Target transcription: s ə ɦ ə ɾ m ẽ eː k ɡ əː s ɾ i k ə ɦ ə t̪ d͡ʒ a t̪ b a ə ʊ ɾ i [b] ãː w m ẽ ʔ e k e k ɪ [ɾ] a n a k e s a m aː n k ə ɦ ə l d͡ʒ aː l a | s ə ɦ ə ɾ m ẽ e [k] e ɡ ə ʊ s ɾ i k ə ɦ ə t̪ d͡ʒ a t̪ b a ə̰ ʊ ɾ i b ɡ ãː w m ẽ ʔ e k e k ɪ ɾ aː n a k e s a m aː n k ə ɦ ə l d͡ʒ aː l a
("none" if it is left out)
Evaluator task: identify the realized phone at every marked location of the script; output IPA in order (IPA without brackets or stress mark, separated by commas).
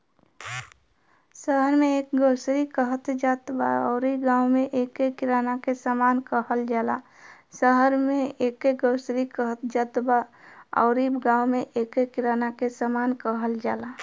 ɡ, ɾ, k